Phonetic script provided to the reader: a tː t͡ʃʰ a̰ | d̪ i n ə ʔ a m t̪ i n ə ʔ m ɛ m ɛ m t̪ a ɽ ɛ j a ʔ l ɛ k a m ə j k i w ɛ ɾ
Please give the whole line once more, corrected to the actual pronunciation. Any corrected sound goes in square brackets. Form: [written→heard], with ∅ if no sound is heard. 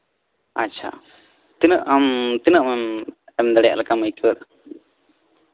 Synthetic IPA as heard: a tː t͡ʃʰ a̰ | [d̪→t̪] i n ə ʔ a m t̪ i n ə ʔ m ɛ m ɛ m [t̪→d̪] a ɽ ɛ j a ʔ l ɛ k a m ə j k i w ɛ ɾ